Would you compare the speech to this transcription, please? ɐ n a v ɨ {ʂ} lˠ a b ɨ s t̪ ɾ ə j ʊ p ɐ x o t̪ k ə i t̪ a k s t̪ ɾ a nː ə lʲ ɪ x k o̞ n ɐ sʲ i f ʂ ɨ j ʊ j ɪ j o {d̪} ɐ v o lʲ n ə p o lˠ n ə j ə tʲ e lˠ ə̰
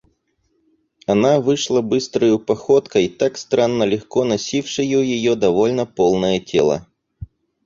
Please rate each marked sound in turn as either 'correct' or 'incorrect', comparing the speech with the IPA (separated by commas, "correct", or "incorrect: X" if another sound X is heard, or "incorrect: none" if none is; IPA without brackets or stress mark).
correct, correct